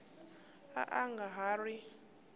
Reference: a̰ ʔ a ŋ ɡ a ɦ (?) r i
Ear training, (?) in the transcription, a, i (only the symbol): a